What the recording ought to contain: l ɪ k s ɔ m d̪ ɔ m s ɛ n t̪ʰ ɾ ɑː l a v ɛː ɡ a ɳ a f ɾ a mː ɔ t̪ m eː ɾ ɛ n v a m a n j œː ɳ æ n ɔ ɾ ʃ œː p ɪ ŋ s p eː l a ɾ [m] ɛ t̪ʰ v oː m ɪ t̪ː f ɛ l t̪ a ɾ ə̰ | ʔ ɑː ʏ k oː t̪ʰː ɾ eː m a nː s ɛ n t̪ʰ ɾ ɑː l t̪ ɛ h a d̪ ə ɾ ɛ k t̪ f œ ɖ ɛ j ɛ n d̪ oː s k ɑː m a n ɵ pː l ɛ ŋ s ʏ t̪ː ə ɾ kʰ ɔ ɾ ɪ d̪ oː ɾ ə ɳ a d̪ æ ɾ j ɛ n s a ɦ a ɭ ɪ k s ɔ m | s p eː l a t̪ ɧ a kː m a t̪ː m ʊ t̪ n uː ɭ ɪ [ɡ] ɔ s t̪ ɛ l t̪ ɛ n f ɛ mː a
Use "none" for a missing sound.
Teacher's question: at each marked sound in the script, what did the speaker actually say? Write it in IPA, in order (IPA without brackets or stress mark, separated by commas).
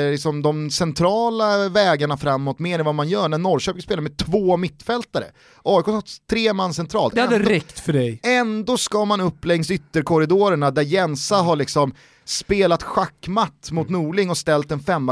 m, ŋ